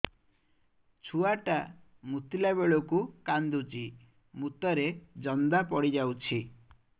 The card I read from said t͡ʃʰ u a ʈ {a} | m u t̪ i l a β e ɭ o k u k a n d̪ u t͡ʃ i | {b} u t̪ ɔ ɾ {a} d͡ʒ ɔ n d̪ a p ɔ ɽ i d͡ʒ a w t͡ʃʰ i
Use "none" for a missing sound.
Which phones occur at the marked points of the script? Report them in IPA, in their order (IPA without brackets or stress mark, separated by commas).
a, m, e